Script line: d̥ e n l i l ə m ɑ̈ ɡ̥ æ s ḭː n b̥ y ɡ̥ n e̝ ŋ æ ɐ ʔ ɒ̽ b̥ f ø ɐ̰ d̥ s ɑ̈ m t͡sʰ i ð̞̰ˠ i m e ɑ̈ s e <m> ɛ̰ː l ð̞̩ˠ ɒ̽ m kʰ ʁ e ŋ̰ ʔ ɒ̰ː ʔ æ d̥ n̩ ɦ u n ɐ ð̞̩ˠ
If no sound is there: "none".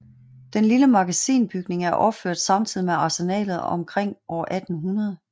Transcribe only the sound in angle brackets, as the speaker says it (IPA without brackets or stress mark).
n